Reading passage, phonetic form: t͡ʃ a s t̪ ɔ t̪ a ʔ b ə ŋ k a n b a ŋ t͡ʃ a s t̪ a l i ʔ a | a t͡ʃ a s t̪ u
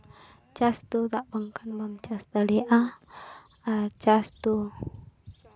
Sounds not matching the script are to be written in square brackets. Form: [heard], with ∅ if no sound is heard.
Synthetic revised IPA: t͡ʃ a s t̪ [u] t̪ a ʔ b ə ŋ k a n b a [m] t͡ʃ a s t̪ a l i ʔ a | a t͡ʃ a s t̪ u